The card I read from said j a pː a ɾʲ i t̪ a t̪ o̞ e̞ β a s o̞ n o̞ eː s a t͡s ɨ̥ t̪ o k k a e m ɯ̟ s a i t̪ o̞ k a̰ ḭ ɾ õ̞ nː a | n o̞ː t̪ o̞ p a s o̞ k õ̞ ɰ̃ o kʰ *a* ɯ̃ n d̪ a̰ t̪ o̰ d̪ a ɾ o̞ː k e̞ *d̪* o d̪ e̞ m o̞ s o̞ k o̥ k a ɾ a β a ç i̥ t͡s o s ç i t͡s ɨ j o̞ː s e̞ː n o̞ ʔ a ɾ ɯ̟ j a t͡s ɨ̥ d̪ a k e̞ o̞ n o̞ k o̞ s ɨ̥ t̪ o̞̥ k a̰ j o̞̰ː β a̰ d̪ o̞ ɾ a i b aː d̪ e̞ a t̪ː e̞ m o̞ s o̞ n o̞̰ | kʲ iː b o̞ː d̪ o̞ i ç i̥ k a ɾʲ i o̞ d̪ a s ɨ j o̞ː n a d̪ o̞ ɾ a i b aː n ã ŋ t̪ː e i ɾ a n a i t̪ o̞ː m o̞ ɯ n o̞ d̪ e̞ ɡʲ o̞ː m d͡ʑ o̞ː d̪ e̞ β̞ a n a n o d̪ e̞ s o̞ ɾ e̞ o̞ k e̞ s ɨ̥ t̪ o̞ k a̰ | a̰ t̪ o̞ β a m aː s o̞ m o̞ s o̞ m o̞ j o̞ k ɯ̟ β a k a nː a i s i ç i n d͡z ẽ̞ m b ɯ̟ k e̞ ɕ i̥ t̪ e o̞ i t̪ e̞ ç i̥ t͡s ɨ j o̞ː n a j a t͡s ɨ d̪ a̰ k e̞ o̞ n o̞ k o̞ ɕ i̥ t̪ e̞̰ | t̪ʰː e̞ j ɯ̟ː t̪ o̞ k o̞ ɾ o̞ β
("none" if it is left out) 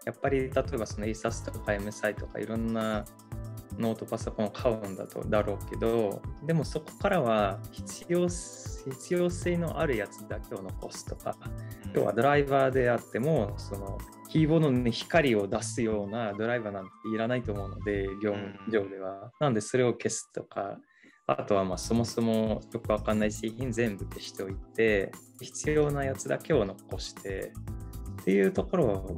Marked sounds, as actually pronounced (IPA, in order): a, d̪

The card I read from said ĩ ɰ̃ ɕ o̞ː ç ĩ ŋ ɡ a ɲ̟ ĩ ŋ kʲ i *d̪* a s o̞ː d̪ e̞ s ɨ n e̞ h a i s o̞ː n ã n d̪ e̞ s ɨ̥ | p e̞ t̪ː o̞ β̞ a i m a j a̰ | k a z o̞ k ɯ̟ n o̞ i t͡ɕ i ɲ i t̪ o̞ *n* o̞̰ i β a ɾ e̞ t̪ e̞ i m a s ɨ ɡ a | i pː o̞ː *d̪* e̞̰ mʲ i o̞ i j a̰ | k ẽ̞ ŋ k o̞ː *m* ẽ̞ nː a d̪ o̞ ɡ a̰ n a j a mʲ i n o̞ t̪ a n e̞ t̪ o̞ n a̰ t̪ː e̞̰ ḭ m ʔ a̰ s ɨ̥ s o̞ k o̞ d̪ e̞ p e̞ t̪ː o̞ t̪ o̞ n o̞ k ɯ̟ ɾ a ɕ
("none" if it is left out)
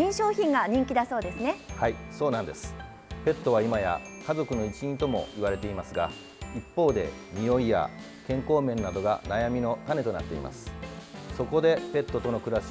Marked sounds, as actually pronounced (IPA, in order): d̪, m, d̪, m

